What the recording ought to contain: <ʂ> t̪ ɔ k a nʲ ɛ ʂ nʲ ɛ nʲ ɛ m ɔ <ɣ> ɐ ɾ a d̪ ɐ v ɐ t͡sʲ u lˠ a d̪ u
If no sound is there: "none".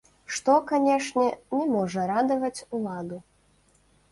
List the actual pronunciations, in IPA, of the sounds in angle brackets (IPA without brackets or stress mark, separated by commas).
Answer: ʂ, ʐ